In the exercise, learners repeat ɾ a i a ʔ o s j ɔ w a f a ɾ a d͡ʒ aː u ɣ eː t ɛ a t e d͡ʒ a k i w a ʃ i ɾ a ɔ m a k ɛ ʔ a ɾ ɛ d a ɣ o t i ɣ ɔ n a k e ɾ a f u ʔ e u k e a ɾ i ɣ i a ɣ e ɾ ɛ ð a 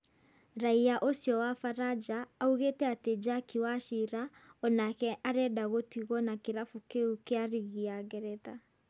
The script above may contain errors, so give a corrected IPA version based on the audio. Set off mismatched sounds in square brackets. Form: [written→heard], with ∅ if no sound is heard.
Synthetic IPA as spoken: ɾ a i a ʔ o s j ɔ w a f a ɾ a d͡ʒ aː u ɣ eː t ɛ a t e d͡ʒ a k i w a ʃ i ɾ a ɔ [m→n] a k ɛ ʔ a ɾ ɛ d a ɣ o t i ɣ ɔ n a k e ɾ a f u [ʔ→k] e u k e a ɾ i ɣ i a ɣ [e→ɛ] ɾ ɛ ð a

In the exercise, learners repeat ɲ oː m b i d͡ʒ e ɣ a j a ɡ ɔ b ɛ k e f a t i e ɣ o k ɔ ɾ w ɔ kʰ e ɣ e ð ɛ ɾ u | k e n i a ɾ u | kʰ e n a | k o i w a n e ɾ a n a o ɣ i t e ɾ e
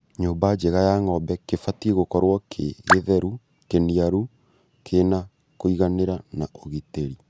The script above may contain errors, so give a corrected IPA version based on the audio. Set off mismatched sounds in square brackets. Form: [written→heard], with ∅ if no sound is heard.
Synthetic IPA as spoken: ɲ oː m b [i→a] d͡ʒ e ɣ a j a [ɡ→ŋ] ɔ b ɛ k e f a t i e ɣ o k ɔ ɾ w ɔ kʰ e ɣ e ð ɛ ɾ u | k e n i a ɾ u | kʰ e n a | k o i [w→ɣ] a n e ɾ a n a o ɣ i t e ɾ [e→i]

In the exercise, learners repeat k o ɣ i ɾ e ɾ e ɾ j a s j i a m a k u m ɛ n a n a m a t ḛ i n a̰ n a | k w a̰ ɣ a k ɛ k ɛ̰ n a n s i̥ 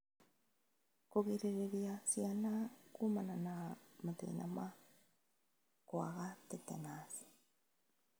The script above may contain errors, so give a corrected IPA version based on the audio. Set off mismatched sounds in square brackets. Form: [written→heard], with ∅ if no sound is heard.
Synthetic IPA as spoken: k o ɣ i ɾ e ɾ e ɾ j a s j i a [m→n] a k u m [ɛ→a] n a n a m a t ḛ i n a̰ [n→m] a | k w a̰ ɣ a [k→t] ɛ [k→t] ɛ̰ n a [n→∅] s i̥

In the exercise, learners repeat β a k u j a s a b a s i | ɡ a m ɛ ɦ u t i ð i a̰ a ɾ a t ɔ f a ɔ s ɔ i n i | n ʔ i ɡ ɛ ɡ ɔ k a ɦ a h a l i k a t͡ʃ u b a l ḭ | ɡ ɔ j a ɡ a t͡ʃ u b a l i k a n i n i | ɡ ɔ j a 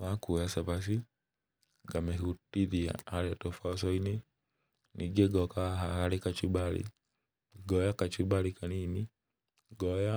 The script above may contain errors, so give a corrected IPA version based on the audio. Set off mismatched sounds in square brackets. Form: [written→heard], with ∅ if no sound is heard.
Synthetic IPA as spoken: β a k u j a s a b a s i | ɡ a m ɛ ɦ u t i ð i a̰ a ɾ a t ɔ f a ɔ s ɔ i n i | n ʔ i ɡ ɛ ɡ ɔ k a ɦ a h a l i k a t͡ʃ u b a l ḭ | ɡ ɔ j a [ɡ→k] a t͡ʃ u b a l i k a n i n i | ɡ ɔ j a

